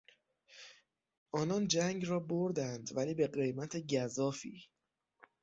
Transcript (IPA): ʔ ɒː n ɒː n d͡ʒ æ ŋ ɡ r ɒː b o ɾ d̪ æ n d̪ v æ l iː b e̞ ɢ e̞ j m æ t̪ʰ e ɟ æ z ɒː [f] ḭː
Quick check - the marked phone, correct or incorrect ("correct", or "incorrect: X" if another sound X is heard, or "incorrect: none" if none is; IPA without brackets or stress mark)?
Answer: correct